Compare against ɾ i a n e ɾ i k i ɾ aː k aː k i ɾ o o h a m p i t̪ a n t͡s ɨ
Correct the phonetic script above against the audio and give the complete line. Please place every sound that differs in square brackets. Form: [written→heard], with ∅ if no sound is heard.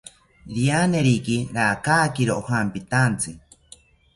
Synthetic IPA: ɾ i a n e ɾ i k i ɾ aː k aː k i ɾ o o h a m p i t̪ a n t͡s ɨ